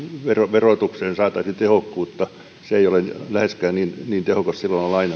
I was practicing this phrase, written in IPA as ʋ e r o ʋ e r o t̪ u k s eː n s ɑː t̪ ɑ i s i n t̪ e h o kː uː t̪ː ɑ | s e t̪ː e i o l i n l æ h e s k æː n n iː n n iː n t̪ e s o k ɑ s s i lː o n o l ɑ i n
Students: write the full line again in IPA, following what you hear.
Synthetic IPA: ʋ e r o ʋ e r o t̪ u k s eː n s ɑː t̪ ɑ i s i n t̪ e h o kː uː t̪ː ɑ | s e e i o l e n l æ h e s k æː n n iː n n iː n t̪ e h o k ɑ s s i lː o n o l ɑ i n